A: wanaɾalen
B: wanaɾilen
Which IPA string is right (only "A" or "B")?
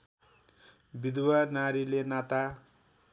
B